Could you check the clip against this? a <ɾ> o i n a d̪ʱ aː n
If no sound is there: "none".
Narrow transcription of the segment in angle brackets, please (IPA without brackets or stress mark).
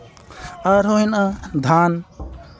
ɾ